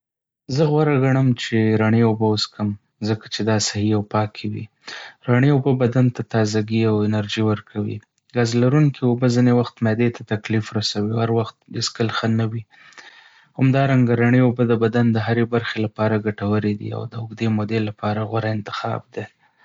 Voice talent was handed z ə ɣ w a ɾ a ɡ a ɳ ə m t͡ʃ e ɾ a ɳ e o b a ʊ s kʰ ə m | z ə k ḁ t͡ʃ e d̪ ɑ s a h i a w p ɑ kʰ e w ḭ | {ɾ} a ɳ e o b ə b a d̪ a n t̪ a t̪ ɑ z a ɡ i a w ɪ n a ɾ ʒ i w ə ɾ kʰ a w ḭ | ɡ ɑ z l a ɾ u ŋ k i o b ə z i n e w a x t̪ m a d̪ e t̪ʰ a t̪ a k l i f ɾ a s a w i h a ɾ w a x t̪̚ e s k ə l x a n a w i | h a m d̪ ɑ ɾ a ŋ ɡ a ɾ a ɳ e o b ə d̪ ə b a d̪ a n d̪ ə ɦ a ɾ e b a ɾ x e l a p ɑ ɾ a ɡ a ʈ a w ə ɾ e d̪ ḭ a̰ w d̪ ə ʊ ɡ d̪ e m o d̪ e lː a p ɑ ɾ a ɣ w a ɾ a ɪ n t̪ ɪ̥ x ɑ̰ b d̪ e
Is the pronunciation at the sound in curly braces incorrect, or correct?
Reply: correct